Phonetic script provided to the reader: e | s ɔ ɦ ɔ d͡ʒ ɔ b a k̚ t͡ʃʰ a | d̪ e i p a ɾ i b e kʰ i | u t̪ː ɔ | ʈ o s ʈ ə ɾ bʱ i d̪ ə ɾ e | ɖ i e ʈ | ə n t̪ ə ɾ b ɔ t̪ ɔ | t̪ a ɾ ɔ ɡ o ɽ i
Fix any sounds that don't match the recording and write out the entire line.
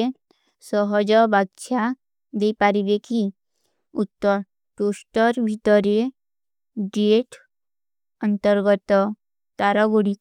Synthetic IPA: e | s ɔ ɦ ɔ d͡ʒ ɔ b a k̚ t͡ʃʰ a | d̪ e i p a ɾ i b e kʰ i | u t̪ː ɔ | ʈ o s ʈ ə ɾ bʱ i t̪ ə ɾ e | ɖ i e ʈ | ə n t̪ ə ɾ ɡ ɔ t̪ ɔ | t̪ a ɾ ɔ ɡ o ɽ i